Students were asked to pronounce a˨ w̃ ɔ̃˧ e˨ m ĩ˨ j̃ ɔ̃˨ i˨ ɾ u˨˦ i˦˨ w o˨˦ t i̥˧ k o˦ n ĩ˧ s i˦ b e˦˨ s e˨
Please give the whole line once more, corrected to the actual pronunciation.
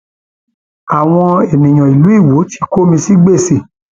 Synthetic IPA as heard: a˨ w̃ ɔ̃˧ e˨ m ĩ˨ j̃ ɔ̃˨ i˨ l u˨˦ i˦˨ w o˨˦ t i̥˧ k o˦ m ĩ˧ s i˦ ɡ͡b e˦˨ s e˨